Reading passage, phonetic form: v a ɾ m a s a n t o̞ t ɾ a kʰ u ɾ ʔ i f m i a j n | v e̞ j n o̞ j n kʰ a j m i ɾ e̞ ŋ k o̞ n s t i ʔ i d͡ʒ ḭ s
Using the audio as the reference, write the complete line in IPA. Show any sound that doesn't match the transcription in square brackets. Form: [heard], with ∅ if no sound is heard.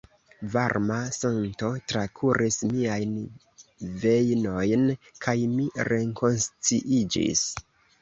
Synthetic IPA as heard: v a ɾ m a s a n t o̞ t ɾ a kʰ u ɾ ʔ i [s] m i a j n | v e̞ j n o̞ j n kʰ a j m i ɾ e̞ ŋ k o̞ n s [t͡s] i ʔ i d͡ʒ ḭ s